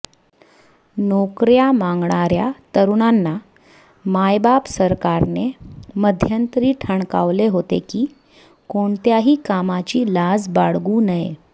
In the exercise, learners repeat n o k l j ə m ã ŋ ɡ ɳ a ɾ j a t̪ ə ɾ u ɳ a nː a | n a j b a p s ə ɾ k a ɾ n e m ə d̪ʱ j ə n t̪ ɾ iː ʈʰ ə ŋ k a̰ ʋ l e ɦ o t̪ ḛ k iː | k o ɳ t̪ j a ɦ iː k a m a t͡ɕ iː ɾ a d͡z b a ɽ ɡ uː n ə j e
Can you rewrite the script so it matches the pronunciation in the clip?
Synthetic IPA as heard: n o k ɾ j a m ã ŋ ɡ ɳ a ɾ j a t̪ ə ɾ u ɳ a nː a | m a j b a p s ə ɾ k a ɾ n e m ə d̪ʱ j ə n t̪ ɾ iː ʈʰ ə ɳ k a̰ ʋ l e ɦ o t̪ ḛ k iː | k o ɳ t̪ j a ɦ iː k a m a t͡ɕ iː l a d͡z b a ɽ ɡ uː n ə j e